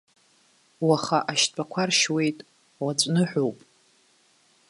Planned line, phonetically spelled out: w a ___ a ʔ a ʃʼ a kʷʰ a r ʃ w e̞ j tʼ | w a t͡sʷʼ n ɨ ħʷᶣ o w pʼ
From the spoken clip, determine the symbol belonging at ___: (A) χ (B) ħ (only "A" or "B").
A